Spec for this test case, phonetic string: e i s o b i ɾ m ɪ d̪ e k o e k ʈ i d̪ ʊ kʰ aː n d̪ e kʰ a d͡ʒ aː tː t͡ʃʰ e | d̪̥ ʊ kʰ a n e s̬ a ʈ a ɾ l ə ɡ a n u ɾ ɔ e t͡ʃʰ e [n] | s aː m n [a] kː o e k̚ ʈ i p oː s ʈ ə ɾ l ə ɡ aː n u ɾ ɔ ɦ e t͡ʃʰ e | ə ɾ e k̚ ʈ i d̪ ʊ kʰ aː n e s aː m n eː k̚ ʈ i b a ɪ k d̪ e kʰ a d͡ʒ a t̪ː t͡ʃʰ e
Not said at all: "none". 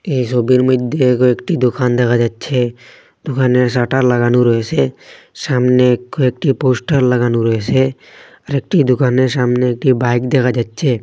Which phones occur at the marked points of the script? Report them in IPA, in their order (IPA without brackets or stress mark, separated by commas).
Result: none, e